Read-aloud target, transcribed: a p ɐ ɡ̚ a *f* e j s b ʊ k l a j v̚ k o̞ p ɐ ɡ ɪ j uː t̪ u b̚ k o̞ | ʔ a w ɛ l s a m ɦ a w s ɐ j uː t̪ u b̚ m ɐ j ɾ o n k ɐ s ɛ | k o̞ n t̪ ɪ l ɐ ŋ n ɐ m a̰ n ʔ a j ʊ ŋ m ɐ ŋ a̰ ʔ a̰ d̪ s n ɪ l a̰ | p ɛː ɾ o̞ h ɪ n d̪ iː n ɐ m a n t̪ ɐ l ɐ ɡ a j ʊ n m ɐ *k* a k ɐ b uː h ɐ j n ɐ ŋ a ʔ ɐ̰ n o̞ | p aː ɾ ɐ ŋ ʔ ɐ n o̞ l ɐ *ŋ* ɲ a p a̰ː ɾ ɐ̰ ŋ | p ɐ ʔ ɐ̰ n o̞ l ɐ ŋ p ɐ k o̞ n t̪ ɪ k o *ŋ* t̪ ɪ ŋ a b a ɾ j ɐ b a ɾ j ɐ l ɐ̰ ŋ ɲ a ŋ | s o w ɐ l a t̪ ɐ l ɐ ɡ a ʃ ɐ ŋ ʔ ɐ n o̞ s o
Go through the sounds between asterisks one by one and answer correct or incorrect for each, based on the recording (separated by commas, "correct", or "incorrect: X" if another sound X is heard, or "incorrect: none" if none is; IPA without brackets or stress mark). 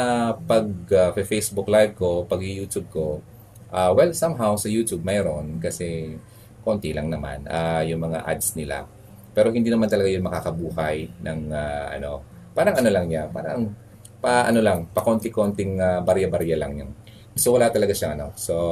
correct, correct, correct, incorrect: n